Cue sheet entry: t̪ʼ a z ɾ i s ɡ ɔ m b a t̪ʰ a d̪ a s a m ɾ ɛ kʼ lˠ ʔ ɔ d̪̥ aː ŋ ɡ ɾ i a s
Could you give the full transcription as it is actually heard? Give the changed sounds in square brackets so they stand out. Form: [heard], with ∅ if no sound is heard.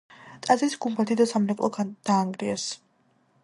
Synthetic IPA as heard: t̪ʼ a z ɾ i s ɡ [u] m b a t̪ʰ [i] d̪ a s a m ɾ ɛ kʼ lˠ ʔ ɔ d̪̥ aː ŋ ɡ ɾ i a s